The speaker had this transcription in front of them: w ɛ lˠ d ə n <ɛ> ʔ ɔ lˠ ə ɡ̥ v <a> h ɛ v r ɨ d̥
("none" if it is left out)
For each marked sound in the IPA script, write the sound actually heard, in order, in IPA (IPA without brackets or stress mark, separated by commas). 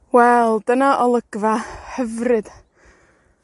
a, a